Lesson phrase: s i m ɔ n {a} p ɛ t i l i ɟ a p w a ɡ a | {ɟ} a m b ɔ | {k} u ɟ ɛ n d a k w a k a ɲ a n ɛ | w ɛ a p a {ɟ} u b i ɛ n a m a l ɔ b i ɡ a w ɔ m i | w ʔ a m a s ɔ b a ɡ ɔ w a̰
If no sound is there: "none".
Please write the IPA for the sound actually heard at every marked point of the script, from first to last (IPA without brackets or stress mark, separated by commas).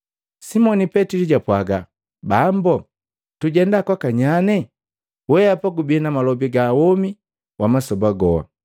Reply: i, b, t, ɡ